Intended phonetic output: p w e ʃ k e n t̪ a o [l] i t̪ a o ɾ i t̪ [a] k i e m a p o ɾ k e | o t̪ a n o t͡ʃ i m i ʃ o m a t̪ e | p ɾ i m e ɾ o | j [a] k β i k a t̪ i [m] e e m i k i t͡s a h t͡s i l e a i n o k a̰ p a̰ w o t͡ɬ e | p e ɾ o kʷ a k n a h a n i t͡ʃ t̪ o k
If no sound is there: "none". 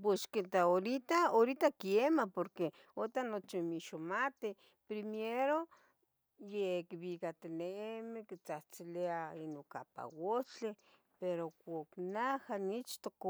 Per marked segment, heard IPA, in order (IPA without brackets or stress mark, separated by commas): ɾ, a, e, n